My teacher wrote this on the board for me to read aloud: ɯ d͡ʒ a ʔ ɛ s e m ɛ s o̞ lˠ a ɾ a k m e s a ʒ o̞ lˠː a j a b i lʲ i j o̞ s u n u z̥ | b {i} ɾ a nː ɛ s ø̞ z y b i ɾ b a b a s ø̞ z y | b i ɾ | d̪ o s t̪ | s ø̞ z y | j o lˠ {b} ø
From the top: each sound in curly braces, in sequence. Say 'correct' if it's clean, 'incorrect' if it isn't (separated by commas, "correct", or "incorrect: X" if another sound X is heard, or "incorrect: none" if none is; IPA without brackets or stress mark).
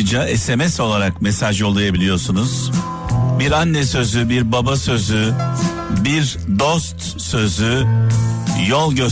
correct, incorrect: ɟ